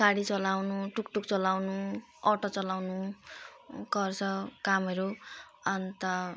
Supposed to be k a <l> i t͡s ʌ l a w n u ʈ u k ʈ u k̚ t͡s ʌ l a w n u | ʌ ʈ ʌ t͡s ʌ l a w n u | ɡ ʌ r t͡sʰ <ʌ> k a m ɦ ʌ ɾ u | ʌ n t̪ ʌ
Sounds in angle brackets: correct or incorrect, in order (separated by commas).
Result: incorrect, correct